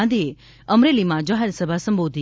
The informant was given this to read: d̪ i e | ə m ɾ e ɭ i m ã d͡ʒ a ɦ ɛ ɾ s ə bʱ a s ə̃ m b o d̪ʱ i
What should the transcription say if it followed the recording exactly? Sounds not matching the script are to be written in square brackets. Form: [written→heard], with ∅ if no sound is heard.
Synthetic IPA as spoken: d̪ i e | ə m ɾ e [ɭ→l] i m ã d͡ʒ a ɦ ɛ ɾ s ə bʱ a s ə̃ m b o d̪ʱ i